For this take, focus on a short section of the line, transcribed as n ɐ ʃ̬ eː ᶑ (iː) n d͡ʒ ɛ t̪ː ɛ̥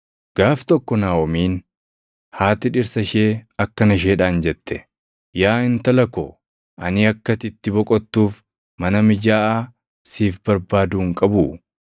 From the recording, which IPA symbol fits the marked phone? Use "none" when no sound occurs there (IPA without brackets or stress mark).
aː